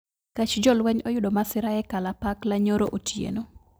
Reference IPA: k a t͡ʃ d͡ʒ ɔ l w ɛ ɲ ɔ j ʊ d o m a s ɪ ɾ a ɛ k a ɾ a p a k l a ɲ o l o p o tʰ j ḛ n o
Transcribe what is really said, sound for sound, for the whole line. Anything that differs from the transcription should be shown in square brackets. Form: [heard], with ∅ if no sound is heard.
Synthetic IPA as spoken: k a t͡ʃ d͡ʒ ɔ l w ɛ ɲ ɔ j ʊ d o m a s ɪ ɾ a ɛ k a [l] a p a k l a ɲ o [ɾ] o [ʔ] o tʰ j ḛ n o

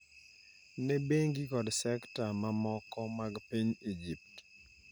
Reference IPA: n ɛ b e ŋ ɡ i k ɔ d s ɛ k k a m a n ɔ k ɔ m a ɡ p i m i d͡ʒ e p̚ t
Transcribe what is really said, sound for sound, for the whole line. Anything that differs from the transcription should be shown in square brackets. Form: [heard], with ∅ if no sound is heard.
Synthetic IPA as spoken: n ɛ b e ŋ ɡ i k ɔ d s ɛ k [t] a m a [m] ɔ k ɔ m a ɡ p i [ɲ] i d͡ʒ [i] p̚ t

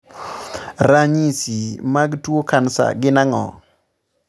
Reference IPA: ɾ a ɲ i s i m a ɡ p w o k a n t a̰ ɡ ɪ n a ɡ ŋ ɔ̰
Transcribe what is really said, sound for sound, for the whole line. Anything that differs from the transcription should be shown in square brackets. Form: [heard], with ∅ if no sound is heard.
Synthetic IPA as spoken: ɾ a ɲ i s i m a ɡ [t] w o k a n [s] a̰ ɡ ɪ n a [∅] ŋ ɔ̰

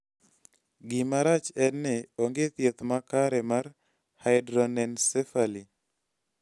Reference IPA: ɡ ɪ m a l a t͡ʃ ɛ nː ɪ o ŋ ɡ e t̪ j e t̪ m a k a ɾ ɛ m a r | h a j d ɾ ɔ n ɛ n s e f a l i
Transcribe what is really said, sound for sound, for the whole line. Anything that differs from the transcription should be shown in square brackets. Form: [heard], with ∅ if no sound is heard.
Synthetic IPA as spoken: ɡ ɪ m a [ɾ] a t͡ʃ ɛ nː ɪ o ŋ ɡ e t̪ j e t̪ m a k a ɾ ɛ m a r | h a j d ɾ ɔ n ɛ n s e f a l i

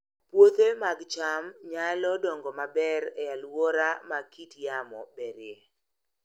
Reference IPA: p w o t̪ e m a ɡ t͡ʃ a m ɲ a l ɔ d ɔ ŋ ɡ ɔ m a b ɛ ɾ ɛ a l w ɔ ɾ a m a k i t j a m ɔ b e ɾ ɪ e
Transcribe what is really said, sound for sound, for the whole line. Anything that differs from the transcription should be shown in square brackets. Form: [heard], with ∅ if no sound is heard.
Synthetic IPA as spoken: p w o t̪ e m a ɡ t͡ʃ a m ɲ a l ɔ d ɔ ŋ ɡ ɔ m a b ɛ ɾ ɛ a l w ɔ ɾ a m a k i t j a m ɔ b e ɾ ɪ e

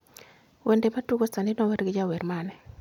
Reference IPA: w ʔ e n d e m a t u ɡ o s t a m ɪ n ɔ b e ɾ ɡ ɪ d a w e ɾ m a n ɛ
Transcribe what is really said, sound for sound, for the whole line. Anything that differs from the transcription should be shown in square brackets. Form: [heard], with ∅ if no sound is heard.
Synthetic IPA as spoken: w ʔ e n d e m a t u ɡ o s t a [n] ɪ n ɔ [w] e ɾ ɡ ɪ [d͡ʒ] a w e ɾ m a n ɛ

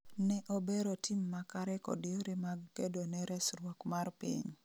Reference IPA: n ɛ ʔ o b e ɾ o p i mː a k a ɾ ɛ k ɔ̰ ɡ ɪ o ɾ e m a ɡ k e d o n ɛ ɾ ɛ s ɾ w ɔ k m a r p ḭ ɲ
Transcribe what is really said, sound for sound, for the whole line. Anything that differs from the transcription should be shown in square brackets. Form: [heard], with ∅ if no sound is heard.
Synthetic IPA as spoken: n ɛ ʔ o b e ɾ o [t] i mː a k a ɾ ɛ k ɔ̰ [d] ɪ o ɾ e m a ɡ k e d o n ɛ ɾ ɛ s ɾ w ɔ k m a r p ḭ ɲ

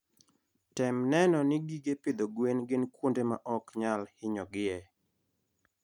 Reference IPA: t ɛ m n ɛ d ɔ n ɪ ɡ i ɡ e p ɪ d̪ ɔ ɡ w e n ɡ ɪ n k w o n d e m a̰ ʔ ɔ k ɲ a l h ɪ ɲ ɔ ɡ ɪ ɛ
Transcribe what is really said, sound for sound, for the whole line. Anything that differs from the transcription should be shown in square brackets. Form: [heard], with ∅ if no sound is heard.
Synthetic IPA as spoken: t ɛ m n ɛ [n] ɔ n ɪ ɡ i ɡ e p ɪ d̪ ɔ ɡ w e n ɡ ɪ n k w o n d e m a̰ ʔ ɔ k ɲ a l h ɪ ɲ ɔ ɡ ɪ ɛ

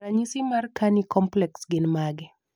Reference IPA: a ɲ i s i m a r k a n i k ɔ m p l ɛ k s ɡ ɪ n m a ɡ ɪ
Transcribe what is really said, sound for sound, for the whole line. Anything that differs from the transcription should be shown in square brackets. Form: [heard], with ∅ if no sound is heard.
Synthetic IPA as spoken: a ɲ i s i m a r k a n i k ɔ m p l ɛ k s ɡ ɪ n m a ɡ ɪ

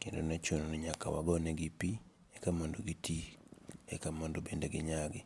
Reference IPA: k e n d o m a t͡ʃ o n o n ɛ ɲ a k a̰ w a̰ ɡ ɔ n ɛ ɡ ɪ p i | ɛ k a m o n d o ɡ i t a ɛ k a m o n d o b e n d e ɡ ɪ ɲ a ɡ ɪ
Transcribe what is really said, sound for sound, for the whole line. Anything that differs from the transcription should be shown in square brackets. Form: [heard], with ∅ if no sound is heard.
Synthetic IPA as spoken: k e n d o [n] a t͡ʃ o n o n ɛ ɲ a k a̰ w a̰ ɡ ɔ n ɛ ɡ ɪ p i | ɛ k a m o n d o ɡ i t [i] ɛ k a m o n d o b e n d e ɡ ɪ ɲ a ɡ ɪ

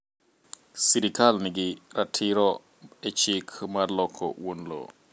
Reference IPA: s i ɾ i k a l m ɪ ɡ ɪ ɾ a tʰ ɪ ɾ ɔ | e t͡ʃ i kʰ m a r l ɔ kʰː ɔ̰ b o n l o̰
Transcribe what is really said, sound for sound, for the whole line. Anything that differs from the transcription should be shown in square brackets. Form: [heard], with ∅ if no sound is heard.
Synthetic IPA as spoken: s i ɾ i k a l [n] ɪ ɡ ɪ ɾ a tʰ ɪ ɾ ɔ | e t͡ʃ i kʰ m a r l ɔ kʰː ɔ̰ [w] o n l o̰

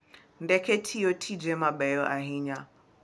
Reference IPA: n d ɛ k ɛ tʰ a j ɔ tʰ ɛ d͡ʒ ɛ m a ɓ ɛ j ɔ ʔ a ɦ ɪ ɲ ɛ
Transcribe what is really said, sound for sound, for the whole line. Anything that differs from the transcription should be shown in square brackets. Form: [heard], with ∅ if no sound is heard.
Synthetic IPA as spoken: n d ɛ k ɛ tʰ [i] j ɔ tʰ [i] d͡ʒ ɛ m a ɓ ɛ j ɔ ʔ a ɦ [i] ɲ [a]

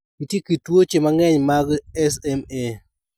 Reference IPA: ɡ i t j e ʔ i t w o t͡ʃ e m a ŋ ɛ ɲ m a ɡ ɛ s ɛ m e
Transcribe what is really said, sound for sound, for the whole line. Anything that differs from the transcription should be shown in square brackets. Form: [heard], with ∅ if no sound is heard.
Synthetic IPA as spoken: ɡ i t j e [k] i t w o t͡ʃ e m a ŋ ɛ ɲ m a ɡ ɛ s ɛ m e

